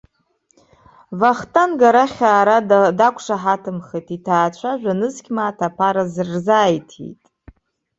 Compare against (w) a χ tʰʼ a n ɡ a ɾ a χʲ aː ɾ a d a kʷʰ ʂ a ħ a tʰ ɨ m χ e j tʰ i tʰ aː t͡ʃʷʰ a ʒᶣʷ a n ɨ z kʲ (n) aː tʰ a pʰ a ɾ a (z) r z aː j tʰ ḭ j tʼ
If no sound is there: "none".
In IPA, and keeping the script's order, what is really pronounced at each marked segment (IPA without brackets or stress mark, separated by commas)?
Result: v, m, z